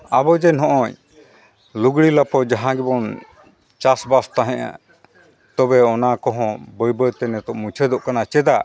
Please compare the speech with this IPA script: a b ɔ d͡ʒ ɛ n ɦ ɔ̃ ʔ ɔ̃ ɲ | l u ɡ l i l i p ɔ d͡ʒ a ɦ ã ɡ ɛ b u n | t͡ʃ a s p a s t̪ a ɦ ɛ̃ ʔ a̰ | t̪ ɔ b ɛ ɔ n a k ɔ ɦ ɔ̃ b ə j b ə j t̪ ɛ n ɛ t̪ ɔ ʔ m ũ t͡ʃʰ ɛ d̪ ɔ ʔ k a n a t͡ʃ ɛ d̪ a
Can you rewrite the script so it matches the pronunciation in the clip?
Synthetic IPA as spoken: a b ɔ d͡ʒ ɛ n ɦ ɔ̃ ʔ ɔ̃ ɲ | l u ɡ ɽ i l a p ɔ d͡ʒ a ɦ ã ɡ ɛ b ɔ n | t͡ʃ a s b a s t̪ a ɦ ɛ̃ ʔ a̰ | t̪ ɔ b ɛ ɔ n a k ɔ ɦ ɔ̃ b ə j b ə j t̪ ɛ n ɛ t̪ ɔ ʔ m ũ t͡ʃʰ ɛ d̪ ɔ ʔ k a n a t͡ʃ ɛ d̪ a